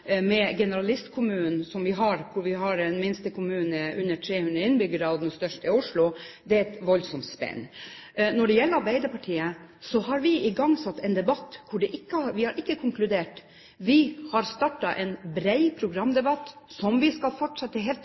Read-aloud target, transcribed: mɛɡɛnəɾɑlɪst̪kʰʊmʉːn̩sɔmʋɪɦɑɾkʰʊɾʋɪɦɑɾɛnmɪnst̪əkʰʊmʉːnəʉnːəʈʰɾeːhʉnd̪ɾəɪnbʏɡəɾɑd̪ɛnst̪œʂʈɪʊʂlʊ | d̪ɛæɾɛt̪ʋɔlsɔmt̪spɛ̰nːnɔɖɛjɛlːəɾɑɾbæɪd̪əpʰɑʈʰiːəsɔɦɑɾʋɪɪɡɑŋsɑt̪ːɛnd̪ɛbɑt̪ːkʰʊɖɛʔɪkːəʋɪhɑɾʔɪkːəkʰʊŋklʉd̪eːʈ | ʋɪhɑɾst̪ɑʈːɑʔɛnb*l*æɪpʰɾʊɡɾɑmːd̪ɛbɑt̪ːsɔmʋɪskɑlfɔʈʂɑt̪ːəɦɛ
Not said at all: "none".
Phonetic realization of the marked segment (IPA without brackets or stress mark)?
ɾ